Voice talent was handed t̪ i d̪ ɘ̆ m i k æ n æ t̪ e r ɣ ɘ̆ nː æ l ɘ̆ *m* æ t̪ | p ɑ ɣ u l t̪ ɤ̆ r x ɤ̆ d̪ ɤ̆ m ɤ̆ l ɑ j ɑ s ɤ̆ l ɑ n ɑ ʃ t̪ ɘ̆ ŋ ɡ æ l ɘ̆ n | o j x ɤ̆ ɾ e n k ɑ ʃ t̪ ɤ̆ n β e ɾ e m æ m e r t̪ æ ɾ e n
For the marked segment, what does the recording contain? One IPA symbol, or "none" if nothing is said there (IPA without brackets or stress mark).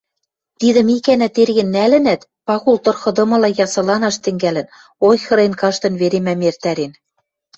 n